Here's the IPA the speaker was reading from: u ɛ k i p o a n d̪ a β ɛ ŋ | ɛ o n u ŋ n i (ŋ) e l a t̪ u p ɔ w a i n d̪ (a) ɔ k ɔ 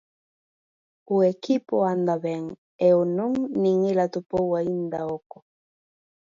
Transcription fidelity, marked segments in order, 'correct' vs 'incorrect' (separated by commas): correct, correct